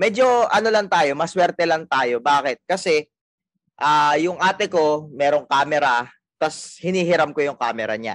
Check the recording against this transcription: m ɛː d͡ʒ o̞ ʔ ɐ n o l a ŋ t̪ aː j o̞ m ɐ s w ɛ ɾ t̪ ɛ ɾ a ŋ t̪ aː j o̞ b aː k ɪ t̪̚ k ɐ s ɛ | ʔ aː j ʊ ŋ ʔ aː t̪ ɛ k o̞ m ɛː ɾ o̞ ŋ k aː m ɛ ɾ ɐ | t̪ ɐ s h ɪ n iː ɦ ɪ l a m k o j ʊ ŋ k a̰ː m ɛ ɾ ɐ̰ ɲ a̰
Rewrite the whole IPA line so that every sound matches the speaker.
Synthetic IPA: m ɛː d͡ʒ o̞ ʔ ɐ n o l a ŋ t̪ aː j o̞ m ɐ s w ɛ ɾ t̪ ɛ l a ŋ t̪ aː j o̞ b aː k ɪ t̪̚ k ɐ s ɛ | ʔ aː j ʊ ŋ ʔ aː t̪ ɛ k o̞ m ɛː ɾ o̞ ŋ k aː m ɛ ɾ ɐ | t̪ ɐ s h ɪ n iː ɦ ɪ ɾ a m k o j ʊ ŋ k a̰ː m ɛ ɾ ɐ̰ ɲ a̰